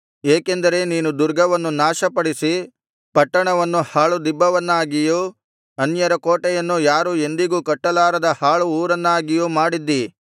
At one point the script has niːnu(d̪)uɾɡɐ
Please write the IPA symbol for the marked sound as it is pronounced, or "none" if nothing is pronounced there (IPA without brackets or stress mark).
d̪